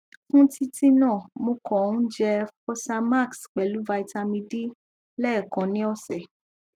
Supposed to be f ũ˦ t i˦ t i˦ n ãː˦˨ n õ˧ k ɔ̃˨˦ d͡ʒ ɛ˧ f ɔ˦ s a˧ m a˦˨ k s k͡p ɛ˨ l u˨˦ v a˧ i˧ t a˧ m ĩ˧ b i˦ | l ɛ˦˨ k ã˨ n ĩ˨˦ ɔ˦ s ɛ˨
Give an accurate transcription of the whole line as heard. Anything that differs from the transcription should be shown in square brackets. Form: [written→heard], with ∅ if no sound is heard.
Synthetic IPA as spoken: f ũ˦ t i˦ t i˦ n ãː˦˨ [n→m] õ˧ k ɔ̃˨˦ d͡ʒ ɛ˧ f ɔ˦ s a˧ m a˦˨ k s k͡p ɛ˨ l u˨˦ v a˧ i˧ t a˧ m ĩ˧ [b→d] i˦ | l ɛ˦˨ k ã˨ n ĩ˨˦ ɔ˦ s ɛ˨